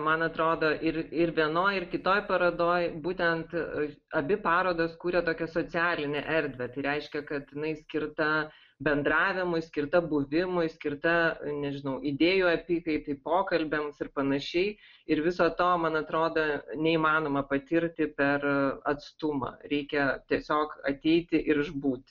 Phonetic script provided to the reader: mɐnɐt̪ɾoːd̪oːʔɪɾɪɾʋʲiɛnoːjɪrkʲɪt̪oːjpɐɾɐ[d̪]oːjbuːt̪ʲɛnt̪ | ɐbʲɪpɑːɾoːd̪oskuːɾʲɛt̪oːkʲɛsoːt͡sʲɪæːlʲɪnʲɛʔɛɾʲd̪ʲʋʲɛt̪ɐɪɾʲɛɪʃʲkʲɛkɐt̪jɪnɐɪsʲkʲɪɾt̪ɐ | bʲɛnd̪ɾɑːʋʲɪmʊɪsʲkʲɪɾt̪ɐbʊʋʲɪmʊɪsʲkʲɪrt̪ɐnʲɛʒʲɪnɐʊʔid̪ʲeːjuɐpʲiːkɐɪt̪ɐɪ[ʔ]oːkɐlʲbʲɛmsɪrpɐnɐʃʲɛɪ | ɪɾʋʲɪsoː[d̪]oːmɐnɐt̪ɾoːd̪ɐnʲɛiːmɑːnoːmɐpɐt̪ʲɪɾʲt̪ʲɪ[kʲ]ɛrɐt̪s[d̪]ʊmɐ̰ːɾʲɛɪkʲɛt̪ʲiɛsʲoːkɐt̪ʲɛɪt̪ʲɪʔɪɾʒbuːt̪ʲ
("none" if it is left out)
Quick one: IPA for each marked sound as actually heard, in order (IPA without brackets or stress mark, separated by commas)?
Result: d̪, p, t̪, pʲ, t̪